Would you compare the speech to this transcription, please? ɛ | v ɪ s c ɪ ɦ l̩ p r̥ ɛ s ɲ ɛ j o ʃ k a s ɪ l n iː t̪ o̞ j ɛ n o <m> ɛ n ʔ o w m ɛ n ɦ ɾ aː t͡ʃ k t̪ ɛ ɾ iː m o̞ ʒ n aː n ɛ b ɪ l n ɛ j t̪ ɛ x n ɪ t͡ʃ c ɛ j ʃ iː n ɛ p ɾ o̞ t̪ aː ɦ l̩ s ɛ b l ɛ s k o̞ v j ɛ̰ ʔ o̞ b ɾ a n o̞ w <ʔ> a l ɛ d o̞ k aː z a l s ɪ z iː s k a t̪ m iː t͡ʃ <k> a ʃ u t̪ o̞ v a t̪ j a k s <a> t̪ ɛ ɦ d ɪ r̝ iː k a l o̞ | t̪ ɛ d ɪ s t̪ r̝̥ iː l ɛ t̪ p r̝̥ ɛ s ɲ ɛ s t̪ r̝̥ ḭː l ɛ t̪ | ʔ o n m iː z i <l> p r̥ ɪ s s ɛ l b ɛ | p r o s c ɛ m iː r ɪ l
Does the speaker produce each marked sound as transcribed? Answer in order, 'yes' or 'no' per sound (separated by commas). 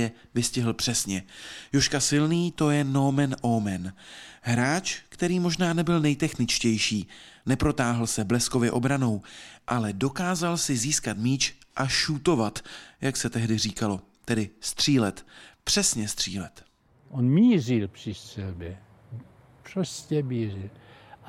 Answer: yes, yes, no, no, yes